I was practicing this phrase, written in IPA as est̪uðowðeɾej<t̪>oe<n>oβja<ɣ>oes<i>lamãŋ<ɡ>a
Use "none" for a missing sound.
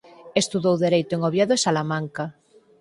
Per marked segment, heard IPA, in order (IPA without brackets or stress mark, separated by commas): t̪, ŋ, ð, a, k